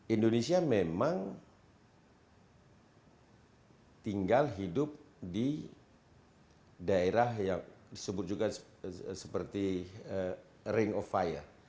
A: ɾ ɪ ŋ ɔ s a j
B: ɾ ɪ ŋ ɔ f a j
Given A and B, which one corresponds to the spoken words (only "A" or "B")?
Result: B